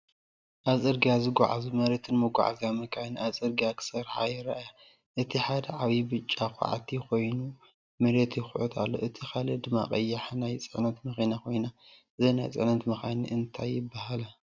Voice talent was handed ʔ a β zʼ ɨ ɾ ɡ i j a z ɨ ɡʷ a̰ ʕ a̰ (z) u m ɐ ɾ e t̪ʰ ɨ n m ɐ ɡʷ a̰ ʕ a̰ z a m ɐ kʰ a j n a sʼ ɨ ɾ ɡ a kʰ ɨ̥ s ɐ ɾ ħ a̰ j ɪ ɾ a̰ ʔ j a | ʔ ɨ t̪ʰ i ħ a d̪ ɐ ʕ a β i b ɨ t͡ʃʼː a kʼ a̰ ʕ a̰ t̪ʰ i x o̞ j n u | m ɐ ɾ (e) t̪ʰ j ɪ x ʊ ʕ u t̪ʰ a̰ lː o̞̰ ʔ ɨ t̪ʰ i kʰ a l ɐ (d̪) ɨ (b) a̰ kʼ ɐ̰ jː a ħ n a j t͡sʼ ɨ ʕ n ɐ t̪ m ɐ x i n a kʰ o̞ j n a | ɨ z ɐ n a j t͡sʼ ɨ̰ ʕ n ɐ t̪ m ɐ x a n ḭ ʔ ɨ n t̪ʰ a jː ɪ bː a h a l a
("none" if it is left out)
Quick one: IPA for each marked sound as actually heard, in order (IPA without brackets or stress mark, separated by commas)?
z, e, d̪, m